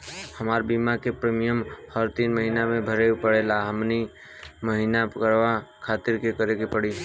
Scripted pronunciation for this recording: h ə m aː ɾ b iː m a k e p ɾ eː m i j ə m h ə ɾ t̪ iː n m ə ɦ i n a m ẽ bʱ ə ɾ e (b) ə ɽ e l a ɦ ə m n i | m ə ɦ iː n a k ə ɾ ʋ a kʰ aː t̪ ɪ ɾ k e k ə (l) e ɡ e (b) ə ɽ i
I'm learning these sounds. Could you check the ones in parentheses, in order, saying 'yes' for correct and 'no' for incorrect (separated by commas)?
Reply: no, no, no